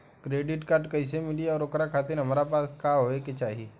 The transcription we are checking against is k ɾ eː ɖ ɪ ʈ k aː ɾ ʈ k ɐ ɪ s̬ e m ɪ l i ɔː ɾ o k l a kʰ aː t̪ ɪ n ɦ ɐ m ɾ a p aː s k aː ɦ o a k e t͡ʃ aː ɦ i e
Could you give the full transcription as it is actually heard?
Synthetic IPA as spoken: k ɾ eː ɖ ɪ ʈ k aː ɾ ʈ k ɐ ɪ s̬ e m ɪ l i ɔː ɾ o k ɾ a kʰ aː t̪ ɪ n ɦ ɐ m ɾ a p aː s k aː ɦ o e k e t͡ʃ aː ɦ i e